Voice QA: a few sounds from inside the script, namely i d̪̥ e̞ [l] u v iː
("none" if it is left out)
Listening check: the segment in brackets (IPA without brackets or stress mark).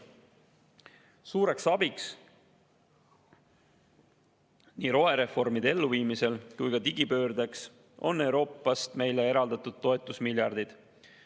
lː